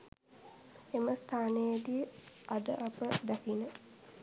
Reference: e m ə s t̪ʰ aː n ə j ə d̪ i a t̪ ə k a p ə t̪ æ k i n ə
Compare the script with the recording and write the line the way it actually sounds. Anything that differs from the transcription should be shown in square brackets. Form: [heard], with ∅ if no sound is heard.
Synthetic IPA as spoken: e m ə s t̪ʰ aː n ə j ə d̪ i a [d̪] ə [ʔ] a p ə [d̪] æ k i n ə